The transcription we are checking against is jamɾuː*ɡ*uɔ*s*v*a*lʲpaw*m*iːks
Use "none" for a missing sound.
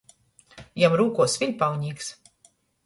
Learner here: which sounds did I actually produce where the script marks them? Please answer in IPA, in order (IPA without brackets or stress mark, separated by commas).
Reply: k, s, i, ɲ